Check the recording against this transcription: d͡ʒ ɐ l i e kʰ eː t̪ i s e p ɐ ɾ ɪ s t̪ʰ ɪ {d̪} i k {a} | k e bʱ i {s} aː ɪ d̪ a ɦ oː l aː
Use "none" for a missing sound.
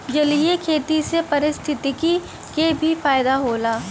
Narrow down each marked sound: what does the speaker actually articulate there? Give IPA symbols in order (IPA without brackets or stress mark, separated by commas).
t̪, i, f